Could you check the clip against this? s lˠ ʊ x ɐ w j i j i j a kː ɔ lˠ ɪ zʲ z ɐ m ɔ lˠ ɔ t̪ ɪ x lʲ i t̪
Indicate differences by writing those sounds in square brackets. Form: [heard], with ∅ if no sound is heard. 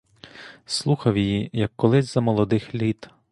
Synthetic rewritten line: s lˠ [u] x ɐ w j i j i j [ɐ] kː ɔ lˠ ɪ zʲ z ɐ m ɔ lˠ ɔ [d̪] ɪ x lʲ i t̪

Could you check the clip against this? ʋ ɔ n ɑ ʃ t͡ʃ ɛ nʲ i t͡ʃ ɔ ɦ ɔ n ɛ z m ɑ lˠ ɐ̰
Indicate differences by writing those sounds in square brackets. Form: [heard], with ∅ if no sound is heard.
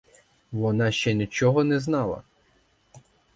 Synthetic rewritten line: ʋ ɔ n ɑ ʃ t͡ʃ ɛ nʲ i t͡ʃ ɔ ɦ ɔ n ɛ z [n] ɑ lˠ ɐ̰

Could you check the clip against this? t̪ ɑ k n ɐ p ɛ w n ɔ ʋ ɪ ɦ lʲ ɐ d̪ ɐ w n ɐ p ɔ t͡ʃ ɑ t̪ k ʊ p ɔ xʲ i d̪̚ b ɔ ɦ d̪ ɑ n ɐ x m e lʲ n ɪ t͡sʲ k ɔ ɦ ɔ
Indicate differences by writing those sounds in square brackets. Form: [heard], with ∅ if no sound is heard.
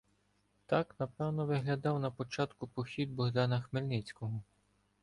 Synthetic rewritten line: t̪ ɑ k n ɐ p ɛ w n ɔ ʋ ɪ ɦ lʲ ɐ d̪ [ɑ] w n ɐ p ɔ t͡ʃ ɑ t̪ k ʊ p ɔ xʲ i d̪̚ b ɔ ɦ d̪ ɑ n ɐ x m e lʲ n ɪ t͡sʲ k ɔ ɦ ɔ

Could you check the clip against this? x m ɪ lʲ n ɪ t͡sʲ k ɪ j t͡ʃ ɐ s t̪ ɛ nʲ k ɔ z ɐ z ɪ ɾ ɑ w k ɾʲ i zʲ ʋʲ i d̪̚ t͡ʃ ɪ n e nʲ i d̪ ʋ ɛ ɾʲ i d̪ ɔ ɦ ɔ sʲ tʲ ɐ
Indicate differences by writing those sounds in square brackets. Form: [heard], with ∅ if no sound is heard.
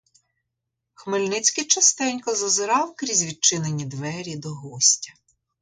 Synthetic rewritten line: x m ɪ lʲ n ɪ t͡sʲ k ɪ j t͡ʃ ɐ s t̪ ɛ nʲ k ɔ z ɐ z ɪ ɾ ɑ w k ɾʲ i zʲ ʋʲ i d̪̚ t͡ʃ ɪ n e nʲ i d̪ ʋ ɛ ɾʲ i d̪ ɔ ɦ ɔ sʲ tʲ ɐ

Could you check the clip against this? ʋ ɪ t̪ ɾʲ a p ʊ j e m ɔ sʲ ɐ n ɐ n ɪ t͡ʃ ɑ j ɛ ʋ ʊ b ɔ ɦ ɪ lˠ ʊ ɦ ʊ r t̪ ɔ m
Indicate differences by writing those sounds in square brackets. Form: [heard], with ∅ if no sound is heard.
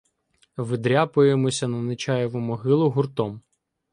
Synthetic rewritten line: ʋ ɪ [d̪] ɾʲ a p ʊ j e m ɔ sʲ ɐ n ɐ n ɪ t͡ʃ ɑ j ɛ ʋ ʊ [m] ɔ ɦ ɪ lˠ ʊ ɦ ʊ r t̪ ɔ m

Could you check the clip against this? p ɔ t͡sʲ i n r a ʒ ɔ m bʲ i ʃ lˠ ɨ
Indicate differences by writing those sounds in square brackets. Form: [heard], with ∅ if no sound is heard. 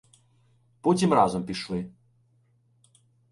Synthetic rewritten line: p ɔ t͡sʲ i [m] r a [z] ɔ m [pʲ] i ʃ lˠ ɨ

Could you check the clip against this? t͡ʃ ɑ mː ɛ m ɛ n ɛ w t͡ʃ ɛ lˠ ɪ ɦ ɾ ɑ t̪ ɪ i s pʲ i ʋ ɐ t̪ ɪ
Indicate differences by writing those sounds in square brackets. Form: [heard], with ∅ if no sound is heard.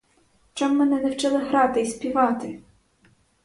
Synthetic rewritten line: t͡ʃ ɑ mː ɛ [n] ɛ n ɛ w t͡ʃ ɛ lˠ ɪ ɦ ɾ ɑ t̪ ɪ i s pʲ i ʋ [ɑ] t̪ ɪ

